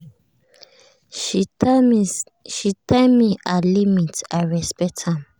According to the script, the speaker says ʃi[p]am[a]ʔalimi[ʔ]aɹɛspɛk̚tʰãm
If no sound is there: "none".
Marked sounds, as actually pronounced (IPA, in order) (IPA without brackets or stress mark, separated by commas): t, i, t